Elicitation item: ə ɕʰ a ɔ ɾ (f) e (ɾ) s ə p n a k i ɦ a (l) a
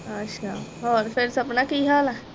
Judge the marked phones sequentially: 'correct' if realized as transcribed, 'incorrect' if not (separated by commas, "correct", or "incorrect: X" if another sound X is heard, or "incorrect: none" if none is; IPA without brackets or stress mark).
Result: correct, correct, correct